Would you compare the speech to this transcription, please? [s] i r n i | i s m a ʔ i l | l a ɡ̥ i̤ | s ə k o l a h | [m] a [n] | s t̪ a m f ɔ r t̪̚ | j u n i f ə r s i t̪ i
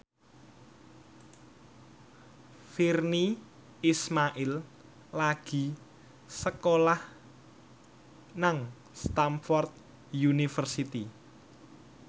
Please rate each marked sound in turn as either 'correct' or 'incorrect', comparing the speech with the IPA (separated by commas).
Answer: incorrect, incorrect, incorrect